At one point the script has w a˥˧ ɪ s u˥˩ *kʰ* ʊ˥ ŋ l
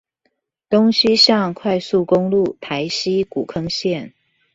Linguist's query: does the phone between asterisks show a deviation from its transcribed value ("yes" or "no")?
yes